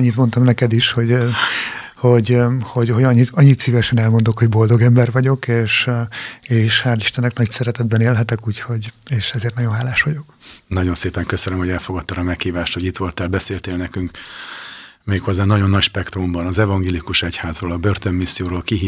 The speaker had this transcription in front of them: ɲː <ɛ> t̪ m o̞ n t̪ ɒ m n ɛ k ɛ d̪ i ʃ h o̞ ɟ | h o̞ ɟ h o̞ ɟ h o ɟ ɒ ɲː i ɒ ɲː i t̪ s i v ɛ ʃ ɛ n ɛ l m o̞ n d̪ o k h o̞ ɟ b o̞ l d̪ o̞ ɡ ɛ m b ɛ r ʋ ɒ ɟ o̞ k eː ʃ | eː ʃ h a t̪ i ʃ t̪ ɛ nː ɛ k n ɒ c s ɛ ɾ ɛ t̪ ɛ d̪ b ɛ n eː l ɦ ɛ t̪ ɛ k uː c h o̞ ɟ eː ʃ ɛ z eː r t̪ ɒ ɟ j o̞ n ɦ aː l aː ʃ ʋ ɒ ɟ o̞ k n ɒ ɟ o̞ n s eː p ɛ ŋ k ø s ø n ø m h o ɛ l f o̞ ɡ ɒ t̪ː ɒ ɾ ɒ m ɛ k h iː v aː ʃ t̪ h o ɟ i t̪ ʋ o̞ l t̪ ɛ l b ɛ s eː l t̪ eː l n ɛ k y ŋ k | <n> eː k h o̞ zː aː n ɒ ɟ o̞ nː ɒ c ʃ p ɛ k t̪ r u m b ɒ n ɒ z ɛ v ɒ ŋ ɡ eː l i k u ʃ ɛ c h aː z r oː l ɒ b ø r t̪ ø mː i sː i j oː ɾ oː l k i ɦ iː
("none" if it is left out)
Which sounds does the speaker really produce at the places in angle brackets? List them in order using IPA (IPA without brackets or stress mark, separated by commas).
i, m